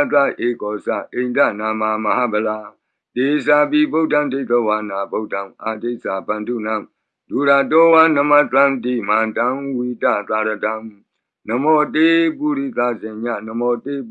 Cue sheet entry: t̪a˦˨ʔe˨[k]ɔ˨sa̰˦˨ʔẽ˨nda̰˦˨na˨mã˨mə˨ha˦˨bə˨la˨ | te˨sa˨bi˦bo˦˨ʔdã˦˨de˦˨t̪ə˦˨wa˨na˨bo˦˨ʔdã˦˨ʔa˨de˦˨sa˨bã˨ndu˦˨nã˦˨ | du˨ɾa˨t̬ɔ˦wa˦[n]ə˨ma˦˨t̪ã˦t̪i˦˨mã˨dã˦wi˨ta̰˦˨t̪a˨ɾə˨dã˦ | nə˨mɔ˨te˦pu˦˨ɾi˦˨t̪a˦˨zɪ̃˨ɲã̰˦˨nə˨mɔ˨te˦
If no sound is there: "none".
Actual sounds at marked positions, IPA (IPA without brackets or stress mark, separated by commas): k, n